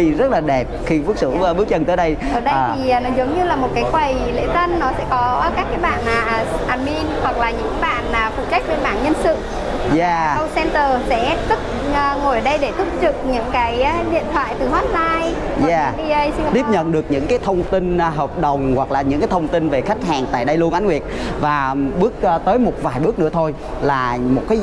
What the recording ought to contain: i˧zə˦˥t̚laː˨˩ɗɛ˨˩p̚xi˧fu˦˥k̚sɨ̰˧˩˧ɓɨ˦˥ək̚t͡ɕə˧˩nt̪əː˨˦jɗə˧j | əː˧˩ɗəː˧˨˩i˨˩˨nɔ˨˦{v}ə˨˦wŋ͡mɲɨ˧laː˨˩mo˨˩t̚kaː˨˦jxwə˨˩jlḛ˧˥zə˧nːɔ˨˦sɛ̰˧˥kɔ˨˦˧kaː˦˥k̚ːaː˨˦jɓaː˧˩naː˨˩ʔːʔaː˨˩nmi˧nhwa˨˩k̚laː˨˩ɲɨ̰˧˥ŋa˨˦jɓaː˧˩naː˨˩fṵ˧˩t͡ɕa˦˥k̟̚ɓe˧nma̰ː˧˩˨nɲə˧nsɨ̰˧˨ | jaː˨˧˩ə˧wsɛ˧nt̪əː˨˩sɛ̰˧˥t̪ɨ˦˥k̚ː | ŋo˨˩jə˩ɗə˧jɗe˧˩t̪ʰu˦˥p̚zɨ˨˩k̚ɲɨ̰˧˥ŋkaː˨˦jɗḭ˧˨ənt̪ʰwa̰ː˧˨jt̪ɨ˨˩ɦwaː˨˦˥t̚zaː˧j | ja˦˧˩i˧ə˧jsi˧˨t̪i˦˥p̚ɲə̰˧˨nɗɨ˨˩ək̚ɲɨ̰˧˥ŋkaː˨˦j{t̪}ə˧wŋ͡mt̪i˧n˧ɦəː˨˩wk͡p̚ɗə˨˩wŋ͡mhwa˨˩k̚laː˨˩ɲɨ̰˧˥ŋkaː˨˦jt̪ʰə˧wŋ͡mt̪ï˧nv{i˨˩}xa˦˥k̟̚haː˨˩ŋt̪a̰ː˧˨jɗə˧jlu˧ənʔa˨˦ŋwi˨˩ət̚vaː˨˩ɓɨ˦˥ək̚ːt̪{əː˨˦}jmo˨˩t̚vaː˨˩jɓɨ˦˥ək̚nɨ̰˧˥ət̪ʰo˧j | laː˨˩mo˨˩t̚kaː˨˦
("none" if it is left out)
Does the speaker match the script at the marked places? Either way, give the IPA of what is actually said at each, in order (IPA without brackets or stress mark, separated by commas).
z, t̪ʰ, e˨˩, əː˨˦